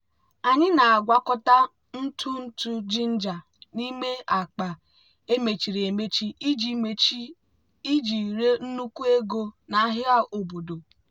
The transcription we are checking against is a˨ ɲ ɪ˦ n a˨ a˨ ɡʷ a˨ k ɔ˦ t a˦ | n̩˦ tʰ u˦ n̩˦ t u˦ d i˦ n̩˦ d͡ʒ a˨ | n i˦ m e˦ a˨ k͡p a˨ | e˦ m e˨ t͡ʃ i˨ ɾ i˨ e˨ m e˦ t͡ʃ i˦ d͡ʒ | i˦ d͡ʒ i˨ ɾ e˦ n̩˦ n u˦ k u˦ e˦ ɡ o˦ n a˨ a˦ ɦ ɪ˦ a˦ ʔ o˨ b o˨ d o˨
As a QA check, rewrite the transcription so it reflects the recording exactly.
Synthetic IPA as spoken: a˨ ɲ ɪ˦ n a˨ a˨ ɡʷ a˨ k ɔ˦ t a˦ | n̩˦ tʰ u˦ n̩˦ t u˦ d͡ʒ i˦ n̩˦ d͡ʒ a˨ | n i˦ m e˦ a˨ k͡p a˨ | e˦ m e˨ t͡ʃ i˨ ɾ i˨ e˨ m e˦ t͡ʃ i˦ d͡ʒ | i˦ d͡ʒ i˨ ɾ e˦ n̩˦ n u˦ k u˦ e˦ ɡ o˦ n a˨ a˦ ɦ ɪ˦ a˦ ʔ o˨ b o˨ d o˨